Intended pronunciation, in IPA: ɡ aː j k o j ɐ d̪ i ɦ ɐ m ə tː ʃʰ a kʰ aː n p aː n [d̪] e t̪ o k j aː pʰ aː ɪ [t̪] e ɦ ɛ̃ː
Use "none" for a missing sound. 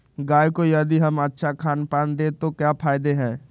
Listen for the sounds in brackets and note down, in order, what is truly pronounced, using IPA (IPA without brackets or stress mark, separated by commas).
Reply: d̪, d̪